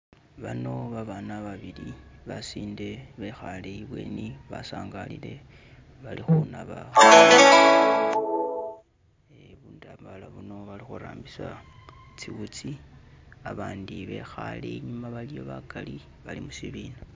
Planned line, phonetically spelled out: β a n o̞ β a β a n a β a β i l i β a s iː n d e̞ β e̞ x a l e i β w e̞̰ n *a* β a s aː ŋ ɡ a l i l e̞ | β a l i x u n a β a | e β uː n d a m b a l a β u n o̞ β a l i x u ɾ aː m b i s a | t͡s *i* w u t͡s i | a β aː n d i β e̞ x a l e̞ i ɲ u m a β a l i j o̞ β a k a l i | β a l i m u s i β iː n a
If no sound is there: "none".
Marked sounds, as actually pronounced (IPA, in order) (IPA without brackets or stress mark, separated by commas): i, i